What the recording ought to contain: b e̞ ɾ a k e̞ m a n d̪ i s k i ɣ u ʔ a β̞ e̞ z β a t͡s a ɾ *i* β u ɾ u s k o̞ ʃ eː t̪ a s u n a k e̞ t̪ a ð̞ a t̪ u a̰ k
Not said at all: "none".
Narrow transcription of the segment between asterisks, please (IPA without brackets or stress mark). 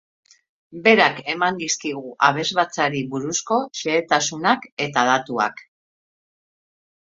i